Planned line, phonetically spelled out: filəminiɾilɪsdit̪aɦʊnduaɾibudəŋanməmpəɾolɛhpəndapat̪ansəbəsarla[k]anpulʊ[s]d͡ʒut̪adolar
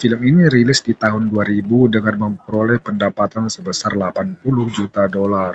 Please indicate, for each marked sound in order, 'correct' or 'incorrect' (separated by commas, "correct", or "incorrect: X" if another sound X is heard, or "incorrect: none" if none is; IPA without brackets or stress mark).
incorrect: p, incorrect: h